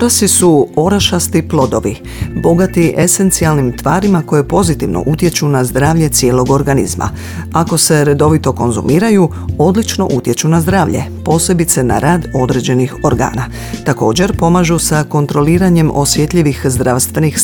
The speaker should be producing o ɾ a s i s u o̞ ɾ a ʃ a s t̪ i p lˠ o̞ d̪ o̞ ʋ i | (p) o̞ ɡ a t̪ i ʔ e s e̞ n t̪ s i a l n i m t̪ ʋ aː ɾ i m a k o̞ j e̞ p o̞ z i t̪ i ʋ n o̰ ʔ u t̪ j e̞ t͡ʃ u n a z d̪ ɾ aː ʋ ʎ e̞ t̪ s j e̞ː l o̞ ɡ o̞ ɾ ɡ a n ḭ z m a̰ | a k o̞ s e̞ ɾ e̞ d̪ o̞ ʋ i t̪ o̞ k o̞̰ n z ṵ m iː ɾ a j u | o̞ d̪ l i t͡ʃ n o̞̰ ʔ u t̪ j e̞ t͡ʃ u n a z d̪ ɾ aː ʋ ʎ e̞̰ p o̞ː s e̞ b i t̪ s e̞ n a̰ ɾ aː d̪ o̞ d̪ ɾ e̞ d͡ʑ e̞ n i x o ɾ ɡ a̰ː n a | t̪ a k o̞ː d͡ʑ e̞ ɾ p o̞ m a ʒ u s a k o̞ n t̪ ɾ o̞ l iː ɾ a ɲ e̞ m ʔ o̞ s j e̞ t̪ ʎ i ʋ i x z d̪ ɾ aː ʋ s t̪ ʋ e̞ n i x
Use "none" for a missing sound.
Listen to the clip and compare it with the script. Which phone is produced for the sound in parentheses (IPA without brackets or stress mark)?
b